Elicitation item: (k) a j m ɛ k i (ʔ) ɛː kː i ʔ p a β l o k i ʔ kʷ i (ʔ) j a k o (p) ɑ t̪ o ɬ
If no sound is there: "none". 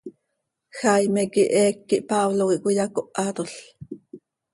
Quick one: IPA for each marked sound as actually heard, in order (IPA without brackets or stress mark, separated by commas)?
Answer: x, ʔ, none, ʔ